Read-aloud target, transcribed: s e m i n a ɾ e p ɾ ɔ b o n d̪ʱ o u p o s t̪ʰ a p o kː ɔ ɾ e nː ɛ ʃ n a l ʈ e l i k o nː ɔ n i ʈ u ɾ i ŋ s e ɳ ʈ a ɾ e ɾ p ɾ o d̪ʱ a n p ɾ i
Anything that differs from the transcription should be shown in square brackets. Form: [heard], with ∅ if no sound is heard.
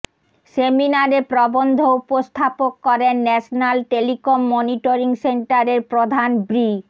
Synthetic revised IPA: s e m i n a ɾ e p ɾ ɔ b o n d̪ʱ o u p o s t̪ʰ a p o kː ɔ ɾ e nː ɛ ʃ n a l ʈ e l i k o [mː] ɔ n i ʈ [o] ɾ i ŋ s e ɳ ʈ a ɾ e ɾ p ɾ o d̪ʱ a n [b] ɾ i

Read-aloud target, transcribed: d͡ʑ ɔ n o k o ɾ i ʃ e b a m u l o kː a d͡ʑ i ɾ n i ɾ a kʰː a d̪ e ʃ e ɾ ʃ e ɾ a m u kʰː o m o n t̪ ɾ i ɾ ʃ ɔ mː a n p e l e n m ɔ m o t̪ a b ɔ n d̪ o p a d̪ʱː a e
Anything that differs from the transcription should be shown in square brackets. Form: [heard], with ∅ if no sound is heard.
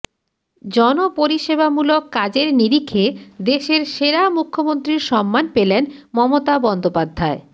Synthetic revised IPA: d͡ʑ ɔ n o [p] o ɾ i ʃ e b a m u l o kː a d͡ʑ [e] ɾ n i ɾ [i] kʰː [e] d̪ e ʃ e ɾ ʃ e ɾ a m u kʰː o m o n t̪ ɾ i ɾ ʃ ɔ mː a n p e l e n m ɔ m o t̪ a b ɔ n d̪ o p a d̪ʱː a e

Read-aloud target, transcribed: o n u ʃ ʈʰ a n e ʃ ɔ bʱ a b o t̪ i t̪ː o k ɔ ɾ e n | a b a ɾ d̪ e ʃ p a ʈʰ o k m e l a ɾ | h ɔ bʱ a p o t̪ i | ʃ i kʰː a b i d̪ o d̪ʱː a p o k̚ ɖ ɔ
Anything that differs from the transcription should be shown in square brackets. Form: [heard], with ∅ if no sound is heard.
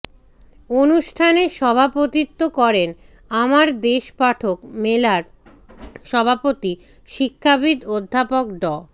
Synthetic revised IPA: o n u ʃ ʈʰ a n e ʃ ɔ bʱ a [p] o t̪ i t̪ː o k ɔ ɾ e n | a [m] a ɾ d̪ e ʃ p a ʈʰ o k m e l a ɾ | [ʃ] ɔ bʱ a p o t̪ i | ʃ i kʰː a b i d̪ o d̪ʱː a p o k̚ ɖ ɔ

